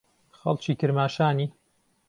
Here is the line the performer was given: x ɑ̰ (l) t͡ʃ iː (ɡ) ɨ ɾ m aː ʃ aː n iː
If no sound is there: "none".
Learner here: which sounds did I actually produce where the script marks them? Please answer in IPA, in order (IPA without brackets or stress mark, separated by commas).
l, k